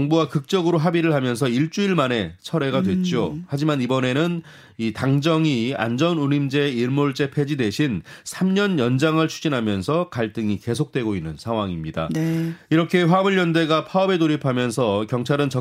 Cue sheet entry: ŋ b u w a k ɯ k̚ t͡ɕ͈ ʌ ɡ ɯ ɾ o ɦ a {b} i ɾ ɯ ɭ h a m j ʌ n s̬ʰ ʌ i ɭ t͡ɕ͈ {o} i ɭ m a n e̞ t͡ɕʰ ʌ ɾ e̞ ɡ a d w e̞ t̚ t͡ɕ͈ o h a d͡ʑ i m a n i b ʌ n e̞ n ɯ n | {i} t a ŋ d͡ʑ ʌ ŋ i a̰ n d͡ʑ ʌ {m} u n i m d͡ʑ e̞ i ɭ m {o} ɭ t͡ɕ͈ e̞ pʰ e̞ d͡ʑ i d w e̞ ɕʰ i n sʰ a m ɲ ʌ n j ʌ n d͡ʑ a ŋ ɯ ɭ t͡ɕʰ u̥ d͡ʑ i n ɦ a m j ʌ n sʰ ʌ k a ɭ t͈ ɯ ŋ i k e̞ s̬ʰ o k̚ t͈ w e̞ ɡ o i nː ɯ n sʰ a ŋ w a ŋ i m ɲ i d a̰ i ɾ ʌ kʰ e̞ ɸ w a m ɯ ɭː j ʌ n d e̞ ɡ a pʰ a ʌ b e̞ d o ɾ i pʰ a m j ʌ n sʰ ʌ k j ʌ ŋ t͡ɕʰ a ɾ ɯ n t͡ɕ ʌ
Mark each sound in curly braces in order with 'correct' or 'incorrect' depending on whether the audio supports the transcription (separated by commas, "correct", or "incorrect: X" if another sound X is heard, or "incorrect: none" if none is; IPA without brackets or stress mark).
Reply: correct, incorrect: u, correct, incorrect: n, correct